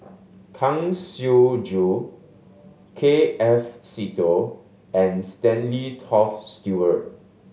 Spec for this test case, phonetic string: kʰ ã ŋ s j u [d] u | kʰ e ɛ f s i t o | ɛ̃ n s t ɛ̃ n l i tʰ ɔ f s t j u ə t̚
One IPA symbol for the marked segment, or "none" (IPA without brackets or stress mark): d͡ʒ